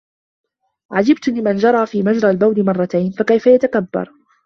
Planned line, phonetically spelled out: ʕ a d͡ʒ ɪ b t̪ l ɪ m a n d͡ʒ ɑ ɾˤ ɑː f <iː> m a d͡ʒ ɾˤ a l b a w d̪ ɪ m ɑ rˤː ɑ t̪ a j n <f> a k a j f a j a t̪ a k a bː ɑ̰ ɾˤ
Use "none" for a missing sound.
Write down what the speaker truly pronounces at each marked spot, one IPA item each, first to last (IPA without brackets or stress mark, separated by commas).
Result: iː, f